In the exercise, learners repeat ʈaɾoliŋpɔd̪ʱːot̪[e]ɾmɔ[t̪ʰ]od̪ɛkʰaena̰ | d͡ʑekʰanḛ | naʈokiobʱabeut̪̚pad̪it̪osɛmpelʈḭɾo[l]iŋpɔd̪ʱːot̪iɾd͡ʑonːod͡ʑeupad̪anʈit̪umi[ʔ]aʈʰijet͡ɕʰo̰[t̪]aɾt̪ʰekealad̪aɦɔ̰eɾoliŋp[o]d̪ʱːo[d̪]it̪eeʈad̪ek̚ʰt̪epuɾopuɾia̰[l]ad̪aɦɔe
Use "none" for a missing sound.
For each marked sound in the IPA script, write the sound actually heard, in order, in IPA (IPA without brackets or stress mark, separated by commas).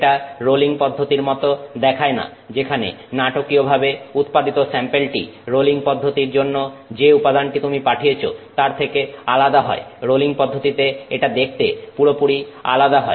i, t̪, l, p, t̪, ɔ, t̪, l